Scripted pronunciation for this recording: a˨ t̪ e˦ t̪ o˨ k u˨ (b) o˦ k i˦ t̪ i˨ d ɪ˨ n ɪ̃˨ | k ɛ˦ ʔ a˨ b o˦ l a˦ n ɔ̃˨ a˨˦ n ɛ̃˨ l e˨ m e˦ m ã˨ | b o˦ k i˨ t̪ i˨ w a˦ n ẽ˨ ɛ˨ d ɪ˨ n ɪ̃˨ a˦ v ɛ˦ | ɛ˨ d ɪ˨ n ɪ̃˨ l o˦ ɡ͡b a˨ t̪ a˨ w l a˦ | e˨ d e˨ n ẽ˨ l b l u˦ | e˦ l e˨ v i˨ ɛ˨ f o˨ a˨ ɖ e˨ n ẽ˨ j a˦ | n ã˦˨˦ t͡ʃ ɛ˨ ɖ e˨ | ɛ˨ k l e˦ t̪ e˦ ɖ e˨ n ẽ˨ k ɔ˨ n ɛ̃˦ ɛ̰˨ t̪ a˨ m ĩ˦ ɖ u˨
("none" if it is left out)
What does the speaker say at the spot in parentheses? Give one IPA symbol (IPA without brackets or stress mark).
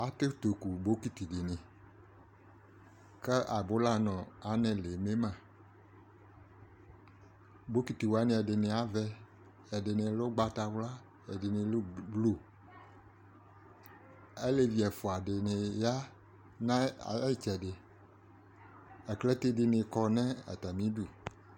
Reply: b